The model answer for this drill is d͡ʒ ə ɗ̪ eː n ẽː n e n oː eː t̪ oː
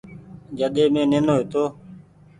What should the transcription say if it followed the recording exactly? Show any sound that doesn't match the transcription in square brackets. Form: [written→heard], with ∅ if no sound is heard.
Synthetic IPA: d͡ʒ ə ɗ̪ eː [n→m] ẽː n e n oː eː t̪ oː